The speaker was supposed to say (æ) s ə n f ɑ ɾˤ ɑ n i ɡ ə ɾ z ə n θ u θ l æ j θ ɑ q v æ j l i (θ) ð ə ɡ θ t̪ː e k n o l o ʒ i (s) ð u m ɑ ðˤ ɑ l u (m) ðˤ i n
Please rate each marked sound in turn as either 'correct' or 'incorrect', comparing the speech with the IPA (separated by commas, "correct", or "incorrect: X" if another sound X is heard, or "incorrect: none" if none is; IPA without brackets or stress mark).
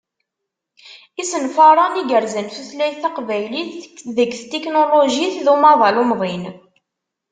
incorrect: i, correct, incorrect: θ, correct